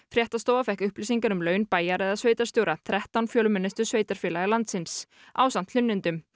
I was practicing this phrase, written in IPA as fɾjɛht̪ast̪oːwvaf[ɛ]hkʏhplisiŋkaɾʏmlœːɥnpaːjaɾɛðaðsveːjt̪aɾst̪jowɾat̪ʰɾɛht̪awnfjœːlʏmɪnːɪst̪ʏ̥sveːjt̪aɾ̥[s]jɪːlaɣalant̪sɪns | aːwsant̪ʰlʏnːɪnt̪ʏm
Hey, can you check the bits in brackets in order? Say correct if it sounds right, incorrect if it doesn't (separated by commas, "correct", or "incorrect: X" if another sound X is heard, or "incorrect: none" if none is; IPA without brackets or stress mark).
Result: correct, incorrect: f